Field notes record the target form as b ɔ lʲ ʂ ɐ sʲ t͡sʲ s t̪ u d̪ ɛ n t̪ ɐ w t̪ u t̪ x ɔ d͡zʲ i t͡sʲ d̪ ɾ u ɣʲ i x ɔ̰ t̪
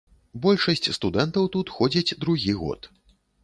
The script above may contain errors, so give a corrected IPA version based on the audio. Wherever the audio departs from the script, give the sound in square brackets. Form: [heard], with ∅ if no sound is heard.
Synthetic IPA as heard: b ɔ lʲ ʂ ɐ sʲ t͡sʲ s t̪ u d̪ ɛ n t̪ ɐ w t̪ u t̪ x ɔ d͡zʲ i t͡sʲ d̪ ɾ u ɣʲ i [ɣ] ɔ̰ t̪